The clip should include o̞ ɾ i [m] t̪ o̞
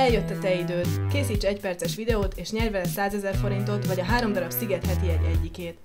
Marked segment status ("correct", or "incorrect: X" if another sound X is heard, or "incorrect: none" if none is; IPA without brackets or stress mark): incorrect: n